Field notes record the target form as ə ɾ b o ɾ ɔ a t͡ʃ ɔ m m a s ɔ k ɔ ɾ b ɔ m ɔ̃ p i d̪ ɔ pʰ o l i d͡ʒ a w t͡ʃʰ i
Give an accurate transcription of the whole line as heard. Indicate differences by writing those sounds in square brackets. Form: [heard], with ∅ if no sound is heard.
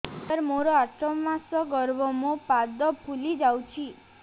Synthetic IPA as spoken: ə ɾ [m] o ɾ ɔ a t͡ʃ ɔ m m a s ɔ [ɡ] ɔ ɾ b ɔ m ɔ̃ p [a] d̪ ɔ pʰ [u] l i d͡ʒ a w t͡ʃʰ i